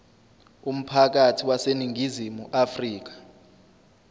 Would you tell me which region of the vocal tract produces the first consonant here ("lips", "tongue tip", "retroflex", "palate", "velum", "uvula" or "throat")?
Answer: lips